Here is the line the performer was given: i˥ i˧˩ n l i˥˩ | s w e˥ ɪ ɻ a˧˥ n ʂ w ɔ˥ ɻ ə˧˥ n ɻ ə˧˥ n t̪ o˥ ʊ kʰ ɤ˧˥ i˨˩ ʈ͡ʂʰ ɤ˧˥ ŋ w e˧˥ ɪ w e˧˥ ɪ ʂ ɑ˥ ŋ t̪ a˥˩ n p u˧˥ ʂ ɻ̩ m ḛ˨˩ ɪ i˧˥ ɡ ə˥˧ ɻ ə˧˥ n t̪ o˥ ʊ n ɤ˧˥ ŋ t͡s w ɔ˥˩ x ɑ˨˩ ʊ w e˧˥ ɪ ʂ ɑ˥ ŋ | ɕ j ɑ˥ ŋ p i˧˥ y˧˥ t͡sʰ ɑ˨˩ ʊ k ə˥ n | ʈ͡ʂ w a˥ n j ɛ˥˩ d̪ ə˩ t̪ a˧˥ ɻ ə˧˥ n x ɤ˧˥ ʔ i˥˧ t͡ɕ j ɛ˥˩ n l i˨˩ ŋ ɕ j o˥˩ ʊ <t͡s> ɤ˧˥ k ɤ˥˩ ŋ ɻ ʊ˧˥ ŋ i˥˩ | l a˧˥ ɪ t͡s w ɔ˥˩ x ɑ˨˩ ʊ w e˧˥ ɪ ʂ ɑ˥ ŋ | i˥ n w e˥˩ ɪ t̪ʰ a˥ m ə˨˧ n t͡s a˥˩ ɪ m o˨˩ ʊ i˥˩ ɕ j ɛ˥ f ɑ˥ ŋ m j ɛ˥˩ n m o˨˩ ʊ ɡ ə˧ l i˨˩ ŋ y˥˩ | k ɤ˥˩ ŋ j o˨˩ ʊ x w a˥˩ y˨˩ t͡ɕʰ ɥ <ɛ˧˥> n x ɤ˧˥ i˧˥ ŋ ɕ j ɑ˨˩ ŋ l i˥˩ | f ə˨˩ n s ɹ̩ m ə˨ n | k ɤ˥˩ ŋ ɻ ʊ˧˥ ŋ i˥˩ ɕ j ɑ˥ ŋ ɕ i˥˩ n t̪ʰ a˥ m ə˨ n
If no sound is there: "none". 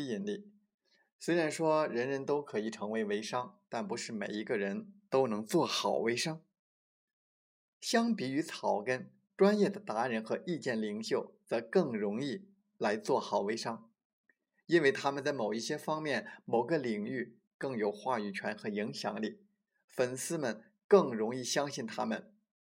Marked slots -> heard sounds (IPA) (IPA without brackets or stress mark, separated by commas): t͡s, ɛ˧˥